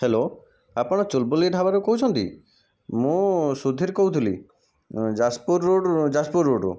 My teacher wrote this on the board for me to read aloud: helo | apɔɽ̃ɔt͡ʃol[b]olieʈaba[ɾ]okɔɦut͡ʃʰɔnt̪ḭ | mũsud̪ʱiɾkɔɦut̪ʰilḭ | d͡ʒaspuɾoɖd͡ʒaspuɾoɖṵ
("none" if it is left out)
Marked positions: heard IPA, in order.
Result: b, ɾ

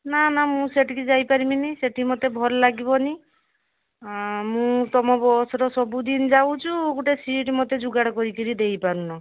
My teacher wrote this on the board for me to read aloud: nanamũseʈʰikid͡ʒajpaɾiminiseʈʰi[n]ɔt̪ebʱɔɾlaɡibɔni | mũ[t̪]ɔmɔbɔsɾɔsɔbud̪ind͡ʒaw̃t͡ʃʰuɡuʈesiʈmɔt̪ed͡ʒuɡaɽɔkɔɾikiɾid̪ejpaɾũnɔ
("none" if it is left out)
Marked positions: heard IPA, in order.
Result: m, t̪

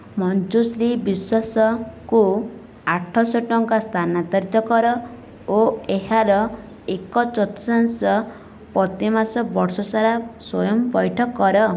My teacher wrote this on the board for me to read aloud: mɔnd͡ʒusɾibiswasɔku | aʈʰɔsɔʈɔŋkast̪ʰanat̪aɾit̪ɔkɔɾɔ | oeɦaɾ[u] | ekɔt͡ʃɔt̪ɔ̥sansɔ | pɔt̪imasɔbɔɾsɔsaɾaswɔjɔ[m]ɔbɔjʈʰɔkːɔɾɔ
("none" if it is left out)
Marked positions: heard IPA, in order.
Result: ɔ, m

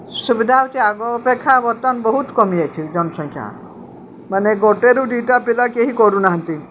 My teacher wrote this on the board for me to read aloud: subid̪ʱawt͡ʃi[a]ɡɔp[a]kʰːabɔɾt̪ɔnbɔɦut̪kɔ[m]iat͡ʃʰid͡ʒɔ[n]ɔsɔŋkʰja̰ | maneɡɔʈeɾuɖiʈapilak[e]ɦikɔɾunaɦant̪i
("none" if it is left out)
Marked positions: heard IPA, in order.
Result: a, e, m, n, e

